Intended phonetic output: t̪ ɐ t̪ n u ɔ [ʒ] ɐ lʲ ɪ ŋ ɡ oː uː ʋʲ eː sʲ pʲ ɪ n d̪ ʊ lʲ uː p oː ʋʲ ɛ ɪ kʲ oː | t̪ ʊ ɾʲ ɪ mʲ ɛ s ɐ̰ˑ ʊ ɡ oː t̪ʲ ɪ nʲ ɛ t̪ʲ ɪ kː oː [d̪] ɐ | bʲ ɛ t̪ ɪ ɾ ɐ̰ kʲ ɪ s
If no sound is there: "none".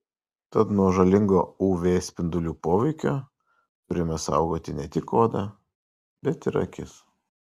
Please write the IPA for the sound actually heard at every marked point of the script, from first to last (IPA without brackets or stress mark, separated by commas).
ʒ, d̪